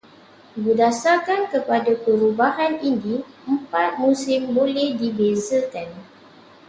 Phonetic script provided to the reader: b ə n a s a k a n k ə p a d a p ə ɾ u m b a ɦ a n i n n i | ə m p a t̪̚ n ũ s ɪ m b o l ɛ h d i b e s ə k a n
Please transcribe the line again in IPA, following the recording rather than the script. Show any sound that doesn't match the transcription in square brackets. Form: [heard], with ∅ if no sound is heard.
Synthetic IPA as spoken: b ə [d] a s a k a n k ə p a d a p ə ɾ u [∅] b a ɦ a n i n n i | ə m p a t̪̚ [m] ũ s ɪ m b o l ɛ h d i b e [z] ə k a n